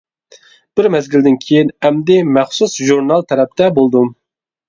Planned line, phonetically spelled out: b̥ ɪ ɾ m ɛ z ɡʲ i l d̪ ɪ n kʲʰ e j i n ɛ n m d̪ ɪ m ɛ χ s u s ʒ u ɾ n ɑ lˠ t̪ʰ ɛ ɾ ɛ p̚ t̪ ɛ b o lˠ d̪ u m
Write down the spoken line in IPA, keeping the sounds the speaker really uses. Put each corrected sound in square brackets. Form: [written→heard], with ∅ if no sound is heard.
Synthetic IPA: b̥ ɪ ɾ m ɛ z ɡʲ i l d̪ ɪ n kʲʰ e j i n ɛ [n→∅] m d̪ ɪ m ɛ χ s u s ʒ u ɾ n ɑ lˠ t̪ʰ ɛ ɾ ɛ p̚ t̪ ɛ b o lˠ d̪ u m